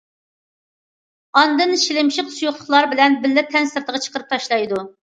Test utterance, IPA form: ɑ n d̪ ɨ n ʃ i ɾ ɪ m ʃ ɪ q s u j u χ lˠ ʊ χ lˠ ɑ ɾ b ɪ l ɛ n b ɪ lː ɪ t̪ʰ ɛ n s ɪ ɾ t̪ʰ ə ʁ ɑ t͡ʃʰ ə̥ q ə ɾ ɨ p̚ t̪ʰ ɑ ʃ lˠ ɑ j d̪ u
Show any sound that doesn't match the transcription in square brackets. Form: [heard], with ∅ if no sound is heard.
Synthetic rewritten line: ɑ n d̪ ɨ n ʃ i [l] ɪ m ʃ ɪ q s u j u χ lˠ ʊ χ lˠ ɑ ɾ b ɪ l ɛ n b ɪ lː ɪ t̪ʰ ɛ n s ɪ ɾ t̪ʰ ə ʁ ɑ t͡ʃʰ ə̥ q ə ɾ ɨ p̚ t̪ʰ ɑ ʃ lˠ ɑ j d̪ u